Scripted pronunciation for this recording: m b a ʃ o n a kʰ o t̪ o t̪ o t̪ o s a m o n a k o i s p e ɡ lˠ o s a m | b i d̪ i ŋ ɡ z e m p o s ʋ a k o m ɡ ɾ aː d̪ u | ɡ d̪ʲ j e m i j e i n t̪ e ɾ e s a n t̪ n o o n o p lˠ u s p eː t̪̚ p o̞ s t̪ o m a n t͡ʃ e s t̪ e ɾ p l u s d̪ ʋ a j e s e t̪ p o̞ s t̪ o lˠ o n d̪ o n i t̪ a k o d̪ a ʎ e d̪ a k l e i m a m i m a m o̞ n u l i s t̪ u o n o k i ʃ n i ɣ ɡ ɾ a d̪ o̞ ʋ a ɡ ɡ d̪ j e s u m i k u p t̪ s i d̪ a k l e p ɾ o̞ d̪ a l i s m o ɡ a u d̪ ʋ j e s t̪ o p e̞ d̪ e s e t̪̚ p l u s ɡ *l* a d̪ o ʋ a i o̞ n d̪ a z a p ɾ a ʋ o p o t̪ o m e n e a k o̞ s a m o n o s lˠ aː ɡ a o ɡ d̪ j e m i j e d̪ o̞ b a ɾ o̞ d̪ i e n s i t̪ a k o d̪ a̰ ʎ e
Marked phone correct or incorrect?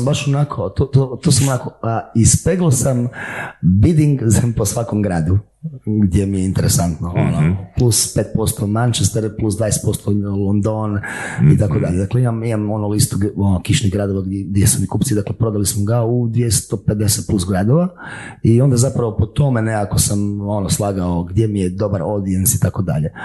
incorrect